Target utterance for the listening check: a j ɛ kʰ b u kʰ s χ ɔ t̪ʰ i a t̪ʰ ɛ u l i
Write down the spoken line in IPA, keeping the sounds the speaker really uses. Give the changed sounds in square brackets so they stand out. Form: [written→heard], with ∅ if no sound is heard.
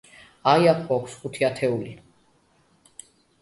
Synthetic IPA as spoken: a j [ɛ→a] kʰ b [u→ɔ] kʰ s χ [ɔ→u] t̪ʰ i a t̪ʰ ɛ u l i